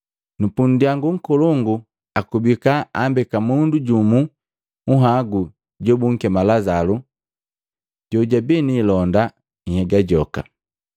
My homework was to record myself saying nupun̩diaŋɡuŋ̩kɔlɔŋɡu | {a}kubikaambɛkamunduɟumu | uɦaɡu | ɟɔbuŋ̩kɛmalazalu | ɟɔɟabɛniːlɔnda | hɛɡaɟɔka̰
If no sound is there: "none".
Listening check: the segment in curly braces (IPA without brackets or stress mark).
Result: a